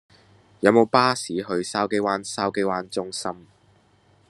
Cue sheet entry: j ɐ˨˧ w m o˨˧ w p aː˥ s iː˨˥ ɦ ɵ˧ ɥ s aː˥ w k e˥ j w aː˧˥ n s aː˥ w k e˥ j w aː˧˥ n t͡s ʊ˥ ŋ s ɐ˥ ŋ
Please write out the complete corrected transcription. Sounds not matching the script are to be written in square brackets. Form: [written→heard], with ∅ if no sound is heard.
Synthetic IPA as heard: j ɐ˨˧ w m o˨˧ w p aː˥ s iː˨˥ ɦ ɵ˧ ɥ s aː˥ w k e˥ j w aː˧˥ n s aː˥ w k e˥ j w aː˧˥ n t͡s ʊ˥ ŋ s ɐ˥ [ŋ→m]

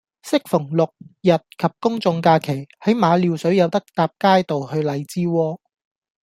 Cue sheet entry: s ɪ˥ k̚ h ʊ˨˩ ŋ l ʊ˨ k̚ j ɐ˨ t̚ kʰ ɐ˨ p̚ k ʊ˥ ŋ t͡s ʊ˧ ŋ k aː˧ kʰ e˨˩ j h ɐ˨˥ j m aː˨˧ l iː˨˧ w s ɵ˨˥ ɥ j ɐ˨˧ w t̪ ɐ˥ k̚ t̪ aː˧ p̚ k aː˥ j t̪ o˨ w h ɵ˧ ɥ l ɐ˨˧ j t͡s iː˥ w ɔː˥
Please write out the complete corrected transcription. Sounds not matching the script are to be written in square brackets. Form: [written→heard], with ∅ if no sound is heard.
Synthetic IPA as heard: s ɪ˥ k̚ [h→f] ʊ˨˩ ŋ l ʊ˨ k̚ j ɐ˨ t̚ kʰ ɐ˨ p̚ k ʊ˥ ŋ t͡s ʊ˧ ŋ k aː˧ kʰ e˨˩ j h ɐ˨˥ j m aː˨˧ l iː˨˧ w s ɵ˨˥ ɥ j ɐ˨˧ w t̪ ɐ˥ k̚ t̪ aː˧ p̚ k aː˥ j t̪ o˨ w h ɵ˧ ɥ l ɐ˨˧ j t͡s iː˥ w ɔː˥

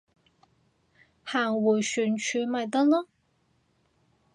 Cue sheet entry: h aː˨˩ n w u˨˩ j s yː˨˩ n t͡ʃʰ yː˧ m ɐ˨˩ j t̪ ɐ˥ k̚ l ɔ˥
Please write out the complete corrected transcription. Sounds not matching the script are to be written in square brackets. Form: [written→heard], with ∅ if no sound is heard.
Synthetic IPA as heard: h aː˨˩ [n→ŋ] w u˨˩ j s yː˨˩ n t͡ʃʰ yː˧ m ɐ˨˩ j t̪ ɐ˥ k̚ l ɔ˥

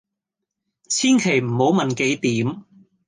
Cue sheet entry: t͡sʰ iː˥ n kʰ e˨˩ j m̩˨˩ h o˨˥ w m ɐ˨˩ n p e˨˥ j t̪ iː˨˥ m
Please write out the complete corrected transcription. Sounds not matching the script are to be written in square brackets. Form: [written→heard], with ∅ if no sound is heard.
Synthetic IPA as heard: t͡sʰ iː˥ n kʰ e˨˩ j m̩˨˩ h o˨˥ w m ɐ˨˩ n [p→k] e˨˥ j t̪ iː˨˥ m

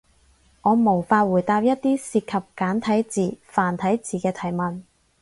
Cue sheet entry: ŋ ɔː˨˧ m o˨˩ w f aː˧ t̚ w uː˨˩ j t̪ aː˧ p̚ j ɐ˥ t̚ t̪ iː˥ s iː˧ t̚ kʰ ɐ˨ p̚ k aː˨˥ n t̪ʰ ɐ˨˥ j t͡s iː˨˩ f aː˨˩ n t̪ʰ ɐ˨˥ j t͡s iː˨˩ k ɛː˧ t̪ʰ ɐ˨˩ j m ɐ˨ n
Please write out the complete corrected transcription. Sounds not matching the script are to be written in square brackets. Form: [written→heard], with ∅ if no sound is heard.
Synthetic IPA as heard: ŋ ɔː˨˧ m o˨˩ w f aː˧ t̚ w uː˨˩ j t̪ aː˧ p̚ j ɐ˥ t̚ t̪ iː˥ s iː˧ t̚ kʰ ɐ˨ p̚ k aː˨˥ n t̪ʰ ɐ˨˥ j t͡s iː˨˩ f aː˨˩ n t̪ʰ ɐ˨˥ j t͡s iː˨˩ k ɛː˧ t̪ʰ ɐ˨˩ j m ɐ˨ n

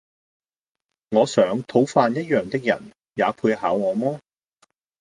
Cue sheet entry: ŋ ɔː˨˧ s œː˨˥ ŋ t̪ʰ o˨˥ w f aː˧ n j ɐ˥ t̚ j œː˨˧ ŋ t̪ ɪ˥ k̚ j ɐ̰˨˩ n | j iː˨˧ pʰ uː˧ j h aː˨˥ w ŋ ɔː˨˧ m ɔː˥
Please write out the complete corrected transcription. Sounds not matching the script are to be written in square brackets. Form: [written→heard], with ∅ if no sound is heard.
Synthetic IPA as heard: ŋ ɔː˨˧ s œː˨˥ ŋ t̪ʰ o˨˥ w f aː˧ n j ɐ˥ t̚ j œː˨˧ ŋ t̪ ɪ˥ k̚ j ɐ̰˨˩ n | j [iː˨˧→aː˨˧] pʰ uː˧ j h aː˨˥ w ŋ ɔː˨˧ m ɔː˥

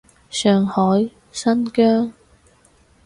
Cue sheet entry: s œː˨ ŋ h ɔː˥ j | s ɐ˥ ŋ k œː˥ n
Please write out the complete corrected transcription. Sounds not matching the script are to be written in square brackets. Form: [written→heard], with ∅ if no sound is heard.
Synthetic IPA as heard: s œː˨ ŋ h [ɔː˥→ɔː˨˥] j | s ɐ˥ [ŋ→n] k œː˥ [n→ŋ]

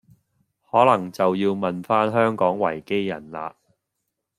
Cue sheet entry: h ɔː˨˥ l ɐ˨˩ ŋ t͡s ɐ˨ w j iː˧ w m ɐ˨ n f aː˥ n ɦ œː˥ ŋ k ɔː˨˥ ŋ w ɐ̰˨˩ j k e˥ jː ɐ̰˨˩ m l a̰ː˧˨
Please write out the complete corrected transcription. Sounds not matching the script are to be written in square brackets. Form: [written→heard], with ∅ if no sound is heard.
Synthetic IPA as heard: h ɔː˨˥ l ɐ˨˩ ŋ t͡s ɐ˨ w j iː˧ w m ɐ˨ n f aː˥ n ɦ œː˥ ŋ k ɔː˨˥ ŋ w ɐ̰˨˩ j k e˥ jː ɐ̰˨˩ [m→n] l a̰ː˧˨

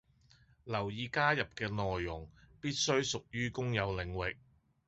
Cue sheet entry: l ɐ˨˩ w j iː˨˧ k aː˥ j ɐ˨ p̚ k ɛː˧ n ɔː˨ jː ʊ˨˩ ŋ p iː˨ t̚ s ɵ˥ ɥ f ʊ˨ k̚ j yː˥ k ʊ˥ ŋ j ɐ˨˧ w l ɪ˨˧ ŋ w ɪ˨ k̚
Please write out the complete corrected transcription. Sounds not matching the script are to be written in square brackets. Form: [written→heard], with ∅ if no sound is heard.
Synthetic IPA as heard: l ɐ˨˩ w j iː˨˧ k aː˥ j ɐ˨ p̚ k ɛː˧ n ɔː˨ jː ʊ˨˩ ŋ p [iː˨→iː˥] t̚ s ɵ˥ ɥ [f→s] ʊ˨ k̚ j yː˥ k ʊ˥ ŋ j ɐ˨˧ w l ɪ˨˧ ŋ w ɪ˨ k̚

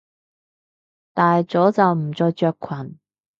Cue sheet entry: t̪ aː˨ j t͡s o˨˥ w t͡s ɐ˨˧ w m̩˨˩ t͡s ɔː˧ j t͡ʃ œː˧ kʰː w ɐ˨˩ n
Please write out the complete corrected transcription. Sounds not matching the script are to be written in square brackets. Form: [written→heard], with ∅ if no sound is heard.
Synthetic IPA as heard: t̪ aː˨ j t͡s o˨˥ w t͡s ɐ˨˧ w m̩˨˩ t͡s ɔː˧ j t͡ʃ œː˧ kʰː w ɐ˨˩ n

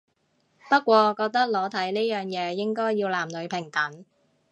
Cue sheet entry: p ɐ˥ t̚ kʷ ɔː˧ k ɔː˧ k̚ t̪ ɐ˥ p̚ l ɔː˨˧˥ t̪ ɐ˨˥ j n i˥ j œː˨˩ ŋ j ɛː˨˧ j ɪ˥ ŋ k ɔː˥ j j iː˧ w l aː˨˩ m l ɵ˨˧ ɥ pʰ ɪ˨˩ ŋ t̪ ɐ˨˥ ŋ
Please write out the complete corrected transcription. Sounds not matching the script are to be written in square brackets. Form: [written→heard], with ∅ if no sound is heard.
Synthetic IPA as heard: p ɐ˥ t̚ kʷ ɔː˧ k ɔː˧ k̚ t̪ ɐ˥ [p̚→k̚] l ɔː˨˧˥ [t̪→t̪ʰ] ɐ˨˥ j n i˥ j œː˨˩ ŋ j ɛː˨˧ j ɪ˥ ŋ k ɔː˥ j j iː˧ w l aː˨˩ m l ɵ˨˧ ɥ pʰ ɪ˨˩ ŋ t̪ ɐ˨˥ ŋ

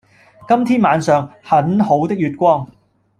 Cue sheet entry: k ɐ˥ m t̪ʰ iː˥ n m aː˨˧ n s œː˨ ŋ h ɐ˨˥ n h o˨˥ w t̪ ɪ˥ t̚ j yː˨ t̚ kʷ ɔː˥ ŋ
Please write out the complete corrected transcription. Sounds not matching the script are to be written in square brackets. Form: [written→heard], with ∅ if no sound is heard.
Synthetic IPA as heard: k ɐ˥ m t̪ʰ iː˥ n m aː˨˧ n s œː˨ ŋ h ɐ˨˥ n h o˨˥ w t̪ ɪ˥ [t̚→k̚] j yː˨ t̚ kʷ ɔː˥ ŋ

